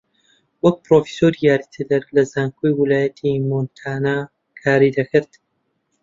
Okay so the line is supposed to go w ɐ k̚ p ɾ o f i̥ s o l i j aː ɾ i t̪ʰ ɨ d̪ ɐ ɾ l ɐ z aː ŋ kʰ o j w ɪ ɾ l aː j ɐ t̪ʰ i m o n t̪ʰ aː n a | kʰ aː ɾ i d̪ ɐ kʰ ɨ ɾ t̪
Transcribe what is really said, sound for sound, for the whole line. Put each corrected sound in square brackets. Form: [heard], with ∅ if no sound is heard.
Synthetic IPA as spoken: w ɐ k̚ p ɾ o f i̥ s o [ɾ] i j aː ɾ i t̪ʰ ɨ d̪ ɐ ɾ l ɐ z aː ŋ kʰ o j w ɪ [∅] l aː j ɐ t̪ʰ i m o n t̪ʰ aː n a | kʰ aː ɾ i d̪ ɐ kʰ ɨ ɾ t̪

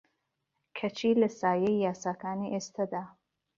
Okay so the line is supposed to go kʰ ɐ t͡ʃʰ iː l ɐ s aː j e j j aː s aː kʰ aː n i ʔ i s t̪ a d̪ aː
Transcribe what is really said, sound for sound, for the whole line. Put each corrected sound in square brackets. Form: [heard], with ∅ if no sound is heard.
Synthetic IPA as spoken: kʰ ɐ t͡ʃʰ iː l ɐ s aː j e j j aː s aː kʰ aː n i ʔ [e] s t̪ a d̪ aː

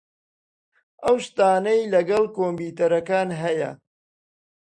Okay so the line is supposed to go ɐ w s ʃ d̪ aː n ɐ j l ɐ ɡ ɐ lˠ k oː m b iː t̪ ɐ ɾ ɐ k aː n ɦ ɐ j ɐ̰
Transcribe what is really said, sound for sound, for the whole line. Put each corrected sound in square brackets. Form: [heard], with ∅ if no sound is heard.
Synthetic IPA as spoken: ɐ w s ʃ [t̪] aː n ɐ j l ɐ ɡ ɐ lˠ k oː m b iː t̪ ɐ ɾ ɐ k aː n ɦ ɐ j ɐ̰

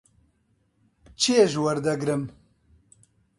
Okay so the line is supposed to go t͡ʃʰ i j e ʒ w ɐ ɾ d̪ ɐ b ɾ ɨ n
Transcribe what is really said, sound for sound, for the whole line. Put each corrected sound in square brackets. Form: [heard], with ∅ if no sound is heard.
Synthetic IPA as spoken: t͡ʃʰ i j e ʒ w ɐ ɾ d̪ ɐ [ɡ] ɾ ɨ [m]

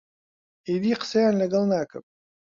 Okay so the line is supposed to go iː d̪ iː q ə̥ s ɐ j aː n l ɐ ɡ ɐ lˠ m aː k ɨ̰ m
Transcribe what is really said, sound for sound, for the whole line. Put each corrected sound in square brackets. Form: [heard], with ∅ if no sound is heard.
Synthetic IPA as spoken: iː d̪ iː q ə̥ s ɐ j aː n l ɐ ɡ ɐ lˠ [n] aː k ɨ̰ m

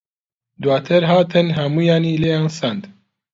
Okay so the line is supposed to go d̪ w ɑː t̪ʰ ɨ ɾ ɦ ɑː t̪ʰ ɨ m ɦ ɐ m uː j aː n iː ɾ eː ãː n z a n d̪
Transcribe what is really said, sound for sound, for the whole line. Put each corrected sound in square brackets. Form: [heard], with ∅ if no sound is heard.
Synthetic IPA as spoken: d̪ w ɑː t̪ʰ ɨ ɾ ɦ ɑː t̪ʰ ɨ [n] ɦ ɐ m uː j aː n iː [l] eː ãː n [s] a n d̪

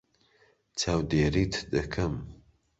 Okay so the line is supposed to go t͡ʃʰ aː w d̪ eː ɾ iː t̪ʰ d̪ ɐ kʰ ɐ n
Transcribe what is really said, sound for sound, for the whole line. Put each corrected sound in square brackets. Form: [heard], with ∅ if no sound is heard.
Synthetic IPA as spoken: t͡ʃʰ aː w d̪ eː ɾ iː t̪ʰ d̪ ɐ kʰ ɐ [m]

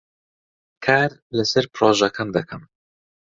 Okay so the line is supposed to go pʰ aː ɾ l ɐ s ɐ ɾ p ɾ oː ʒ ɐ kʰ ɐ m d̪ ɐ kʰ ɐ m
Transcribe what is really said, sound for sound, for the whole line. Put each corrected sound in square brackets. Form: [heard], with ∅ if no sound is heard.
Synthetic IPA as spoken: [kʰ] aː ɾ l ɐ s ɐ ɾ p ɾ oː ʒ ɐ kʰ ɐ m d̪ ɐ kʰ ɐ m

